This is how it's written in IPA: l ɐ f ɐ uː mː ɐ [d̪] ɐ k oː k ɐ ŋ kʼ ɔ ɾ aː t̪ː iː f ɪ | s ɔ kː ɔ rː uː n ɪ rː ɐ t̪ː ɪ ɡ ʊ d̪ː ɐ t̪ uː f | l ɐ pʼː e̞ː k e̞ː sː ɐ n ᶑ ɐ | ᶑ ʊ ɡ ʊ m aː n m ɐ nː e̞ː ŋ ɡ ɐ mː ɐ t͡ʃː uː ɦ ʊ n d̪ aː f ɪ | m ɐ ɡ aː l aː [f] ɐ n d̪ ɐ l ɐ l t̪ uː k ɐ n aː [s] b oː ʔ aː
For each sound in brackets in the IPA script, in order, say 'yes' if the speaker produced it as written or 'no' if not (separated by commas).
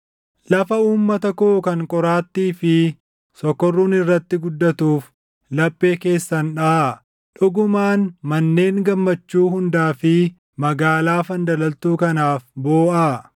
no, yes, no